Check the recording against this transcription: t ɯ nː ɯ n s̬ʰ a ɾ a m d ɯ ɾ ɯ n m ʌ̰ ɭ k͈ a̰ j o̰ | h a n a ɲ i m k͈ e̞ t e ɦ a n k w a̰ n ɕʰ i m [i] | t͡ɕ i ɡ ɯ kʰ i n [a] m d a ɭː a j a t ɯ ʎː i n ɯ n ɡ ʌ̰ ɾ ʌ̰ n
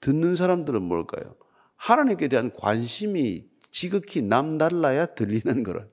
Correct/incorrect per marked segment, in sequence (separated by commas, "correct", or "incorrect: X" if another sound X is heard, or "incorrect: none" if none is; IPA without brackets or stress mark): correct, correct